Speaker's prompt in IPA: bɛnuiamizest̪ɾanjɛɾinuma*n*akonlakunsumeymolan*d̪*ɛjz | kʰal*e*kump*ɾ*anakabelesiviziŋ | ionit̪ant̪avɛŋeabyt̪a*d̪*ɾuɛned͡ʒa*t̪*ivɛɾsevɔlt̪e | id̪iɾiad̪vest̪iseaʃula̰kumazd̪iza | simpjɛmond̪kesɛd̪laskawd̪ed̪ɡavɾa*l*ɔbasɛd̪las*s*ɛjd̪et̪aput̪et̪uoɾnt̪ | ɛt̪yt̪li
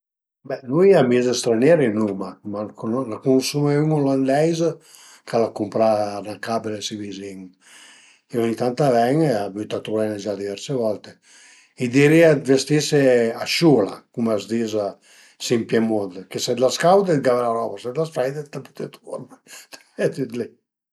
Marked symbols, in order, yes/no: no, yes, no, yes, no, no, no, no

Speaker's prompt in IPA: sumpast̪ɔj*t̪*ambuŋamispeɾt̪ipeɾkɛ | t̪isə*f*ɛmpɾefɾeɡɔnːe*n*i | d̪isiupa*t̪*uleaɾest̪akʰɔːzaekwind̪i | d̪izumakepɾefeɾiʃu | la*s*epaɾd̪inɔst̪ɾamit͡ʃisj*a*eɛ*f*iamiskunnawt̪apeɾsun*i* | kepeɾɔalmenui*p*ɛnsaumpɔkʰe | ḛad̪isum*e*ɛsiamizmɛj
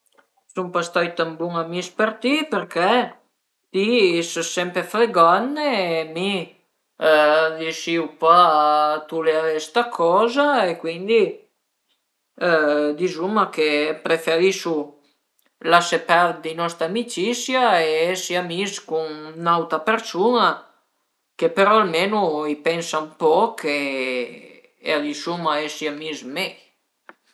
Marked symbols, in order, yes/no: yes, no, no, yes, yes, yes, no, no, yes, no

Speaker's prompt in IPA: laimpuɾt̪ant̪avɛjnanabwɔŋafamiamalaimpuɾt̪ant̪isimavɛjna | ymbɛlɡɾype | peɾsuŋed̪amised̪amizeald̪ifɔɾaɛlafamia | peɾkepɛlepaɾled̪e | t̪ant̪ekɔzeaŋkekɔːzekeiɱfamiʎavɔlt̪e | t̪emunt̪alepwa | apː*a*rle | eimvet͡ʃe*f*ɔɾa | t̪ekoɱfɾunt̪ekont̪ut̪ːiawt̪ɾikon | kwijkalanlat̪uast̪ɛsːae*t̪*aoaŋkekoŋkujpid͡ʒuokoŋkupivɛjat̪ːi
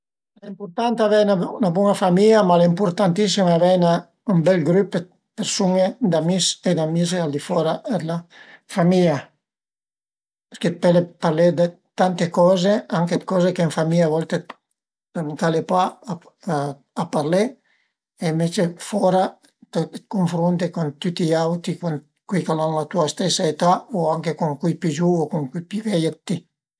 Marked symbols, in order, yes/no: yes, yes, yes

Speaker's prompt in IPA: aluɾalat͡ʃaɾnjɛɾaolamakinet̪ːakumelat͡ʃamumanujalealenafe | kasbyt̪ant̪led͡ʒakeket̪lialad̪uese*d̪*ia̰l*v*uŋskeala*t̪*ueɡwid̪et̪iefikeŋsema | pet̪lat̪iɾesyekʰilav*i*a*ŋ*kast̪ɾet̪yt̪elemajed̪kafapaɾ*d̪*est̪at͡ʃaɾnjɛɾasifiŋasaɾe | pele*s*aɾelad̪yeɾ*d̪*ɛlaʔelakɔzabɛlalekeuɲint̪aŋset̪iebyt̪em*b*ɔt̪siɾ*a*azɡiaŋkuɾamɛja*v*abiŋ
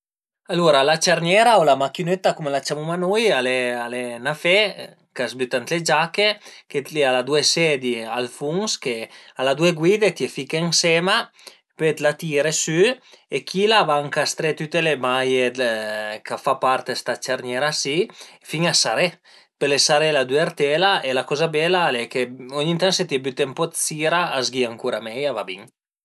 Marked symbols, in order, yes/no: yes, no, no, no, yes, no, yes, no, no, yes, yes

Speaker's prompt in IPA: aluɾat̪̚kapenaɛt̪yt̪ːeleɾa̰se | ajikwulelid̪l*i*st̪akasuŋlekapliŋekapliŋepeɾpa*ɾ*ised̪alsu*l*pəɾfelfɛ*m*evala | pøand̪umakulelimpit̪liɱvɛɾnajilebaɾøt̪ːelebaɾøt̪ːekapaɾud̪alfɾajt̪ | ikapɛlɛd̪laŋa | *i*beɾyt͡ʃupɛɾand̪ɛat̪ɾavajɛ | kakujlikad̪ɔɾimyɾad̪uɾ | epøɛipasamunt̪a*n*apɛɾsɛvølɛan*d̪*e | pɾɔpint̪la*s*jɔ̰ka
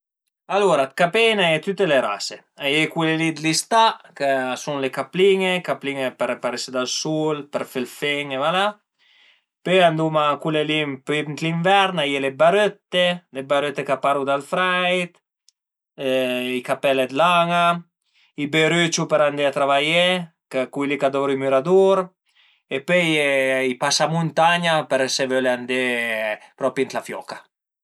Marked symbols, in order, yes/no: yes, yes, yes, no, yes, no, yes, no

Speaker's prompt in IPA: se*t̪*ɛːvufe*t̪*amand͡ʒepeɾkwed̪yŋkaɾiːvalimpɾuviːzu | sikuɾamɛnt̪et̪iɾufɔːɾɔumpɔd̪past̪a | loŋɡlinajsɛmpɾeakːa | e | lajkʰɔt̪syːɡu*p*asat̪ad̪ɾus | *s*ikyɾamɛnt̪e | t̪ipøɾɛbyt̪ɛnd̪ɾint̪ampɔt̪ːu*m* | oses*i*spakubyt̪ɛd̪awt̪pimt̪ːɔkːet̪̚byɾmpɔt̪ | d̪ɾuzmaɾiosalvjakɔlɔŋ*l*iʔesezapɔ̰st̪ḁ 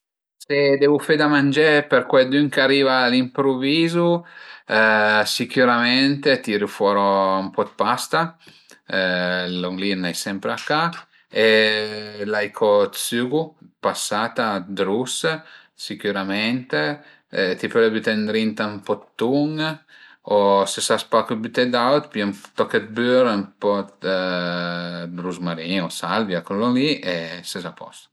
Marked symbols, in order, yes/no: no, no, yes, yes, no, no, yes

